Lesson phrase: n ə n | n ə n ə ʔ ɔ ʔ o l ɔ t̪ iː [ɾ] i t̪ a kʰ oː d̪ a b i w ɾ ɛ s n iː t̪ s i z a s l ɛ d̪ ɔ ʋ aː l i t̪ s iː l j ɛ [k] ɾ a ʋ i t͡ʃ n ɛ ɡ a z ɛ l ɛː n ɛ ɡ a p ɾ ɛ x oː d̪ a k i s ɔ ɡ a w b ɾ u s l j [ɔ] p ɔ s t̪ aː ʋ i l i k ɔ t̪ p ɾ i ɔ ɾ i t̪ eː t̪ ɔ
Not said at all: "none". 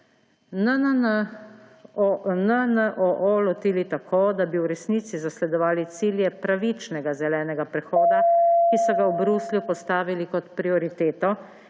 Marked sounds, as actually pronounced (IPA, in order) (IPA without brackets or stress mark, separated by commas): l, p, u